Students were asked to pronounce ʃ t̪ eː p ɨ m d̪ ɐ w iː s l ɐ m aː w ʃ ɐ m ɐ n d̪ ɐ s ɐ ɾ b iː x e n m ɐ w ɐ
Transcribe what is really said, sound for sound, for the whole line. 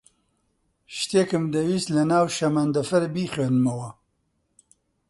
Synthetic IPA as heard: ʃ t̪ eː k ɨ m d̪ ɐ w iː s l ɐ n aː w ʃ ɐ m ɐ n d̪ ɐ f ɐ ɾ b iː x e n m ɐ w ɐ